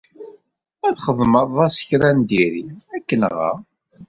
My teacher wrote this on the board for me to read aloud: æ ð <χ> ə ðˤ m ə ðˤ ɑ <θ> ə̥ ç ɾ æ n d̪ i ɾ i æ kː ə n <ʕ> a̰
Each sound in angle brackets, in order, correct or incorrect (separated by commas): correct, incorrect, incorrect